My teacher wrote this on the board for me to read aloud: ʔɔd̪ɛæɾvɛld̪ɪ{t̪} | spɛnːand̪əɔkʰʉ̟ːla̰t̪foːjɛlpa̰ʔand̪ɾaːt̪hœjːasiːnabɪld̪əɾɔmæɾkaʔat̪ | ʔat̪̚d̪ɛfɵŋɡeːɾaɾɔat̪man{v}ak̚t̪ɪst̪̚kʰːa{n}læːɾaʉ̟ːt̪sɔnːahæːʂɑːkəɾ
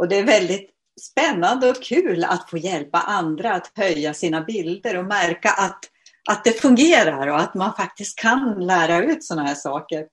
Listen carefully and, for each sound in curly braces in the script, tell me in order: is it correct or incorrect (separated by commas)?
correct, incorrect, correct